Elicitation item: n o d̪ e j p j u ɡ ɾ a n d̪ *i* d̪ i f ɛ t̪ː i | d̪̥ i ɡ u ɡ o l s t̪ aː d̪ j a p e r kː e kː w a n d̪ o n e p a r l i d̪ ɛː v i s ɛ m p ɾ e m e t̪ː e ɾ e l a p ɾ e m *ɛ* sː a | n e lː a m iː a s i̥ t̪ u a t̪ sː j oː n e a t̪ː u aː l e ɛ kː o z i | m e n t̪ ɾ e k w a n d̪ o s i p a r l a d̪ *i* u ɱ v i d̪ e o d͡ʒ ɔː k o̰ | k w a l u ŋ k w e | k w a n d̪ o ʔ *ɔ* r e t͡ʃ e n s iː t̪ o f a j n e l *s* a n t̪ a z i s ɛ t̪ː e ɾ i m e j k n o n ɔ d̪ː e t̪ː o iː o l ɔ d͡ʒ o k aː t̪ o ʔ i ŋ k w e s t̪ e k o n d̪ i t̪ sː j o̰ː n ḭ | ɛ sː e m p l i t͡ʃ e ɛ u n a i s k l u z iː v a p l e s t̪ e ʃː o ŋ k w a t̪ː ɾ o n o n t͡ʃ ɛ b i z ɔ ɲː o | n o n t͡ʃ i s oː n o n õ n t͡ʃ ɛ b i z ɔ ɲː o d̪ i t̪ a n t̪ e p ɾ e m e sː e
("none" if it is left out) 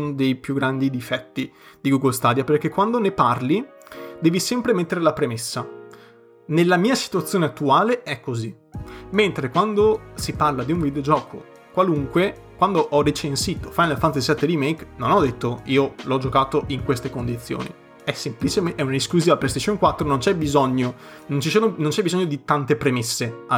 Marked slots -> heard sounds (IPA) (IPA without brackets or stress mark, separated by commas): i, e, i, ɔ, f